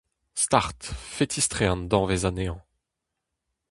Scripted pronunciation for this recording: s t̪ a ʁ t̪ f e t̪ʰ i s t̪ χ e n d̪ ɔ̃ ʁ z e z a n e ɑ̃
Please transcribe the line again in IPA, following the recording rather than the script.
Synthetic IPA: s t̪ a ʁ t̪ f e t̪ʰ i s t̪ χ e n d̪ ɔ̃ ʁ v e z a n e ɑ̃